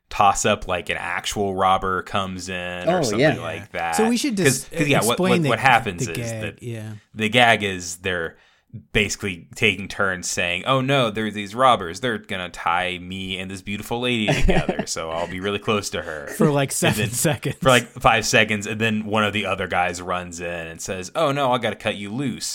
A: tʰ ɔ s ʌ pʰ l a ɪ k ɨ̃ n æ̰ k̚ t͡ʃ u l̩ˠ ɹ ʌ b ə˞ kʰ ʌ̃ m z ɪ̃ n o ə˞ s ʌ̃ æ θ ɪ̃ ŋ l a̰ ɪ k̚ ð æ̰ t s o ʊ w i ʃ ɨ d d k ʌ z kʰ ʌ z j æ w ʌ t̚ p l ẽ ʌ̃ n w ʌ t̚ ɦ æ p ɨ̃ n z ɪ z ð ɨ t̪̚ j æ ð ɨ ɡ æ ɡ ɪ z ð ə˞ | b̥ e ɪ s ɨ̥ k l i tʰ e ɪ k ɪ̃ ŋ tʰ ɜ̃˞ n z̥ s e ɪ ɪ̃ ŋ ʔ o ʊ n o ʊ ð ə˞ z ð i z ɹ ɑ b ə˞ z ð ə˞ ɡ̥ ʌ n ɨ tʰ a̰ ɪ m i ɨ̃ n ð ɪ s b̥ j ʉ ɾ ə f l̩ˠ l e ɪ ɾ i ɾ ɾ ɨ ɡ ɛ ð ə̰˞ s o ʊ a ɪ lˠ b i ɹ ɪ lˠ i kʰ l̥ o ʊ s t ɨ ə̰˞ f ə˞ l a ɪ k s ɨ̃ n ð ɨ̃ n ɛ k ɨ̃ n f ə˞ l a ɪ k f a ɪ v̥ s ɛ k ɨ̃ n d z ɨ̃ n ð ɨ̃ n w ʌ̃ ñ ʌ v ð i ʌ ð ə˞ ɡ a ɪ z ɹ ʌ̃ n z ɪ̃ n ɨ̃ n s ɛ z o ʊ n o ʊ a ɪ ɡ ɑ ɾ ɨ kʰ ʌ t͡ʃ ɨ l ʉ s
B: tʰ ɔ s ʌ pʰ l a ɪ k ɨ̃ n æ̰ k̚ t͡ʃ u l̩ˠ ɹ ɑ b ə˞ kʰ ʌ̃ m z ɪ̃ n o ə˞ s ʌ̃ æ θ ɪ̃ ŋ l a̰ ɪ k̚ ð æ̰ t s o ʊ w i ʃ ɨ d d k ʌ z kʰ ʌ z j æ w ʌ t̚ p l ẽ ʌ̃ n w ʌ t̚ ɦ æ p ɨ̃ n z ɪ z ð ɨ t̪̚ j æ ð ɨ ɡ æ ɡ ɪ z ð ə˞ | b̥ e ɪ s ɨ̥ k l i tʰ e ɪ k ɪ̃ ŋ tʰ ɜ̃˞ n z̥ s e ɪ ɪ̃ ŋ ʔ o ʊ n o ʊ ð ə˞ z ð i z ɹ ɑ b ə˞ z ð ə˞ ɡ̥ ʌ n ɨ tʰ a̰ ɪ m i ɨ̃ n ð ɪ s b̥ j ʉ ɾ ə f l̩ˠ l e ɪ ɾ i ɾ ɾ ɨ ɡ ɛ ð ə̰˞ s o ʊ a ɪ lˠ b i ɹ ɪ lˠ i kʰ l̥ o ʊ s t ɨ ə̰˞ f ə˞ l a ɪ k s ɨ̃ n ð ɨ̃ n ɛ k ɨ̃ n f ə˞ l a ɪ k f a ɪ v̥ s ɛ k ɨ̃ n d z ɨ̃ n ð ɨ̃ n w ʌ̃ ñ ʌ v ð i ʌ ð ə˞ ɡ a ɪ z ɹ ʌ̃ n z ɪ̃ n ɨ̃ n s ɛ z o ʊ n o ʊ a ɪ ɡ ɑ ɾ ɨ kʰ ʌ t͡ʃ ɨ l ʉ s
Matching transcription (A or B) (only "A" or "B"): B